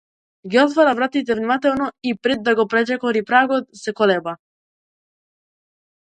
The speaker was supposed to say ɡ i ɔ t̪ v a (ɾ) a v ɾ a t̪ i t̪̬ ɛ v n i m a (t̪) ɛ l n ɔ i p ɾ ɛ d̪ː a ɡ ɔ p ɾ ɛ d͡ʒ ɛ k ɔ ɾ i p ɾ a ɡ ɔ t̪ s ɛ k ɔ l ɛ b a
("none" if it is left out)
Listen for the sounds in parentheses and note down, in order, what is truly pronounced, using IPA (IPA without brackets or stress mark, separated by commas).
ɾ, t̪